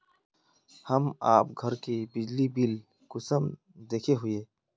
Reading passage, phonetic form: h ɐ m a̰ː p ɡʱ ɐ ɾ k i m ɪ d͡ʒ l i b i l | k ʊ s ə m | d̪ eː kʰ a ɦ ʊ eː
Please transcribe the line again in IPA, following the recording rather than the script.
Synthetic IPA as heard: h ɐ m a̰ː p ɡʱ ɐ ɾ k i b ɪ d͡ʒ l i b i l | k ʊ s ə m | d̪ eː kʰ e ɦ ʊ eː